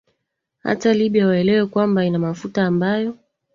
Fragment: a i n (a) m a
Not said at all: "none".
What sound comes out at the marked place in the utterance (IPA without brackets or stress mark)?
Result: a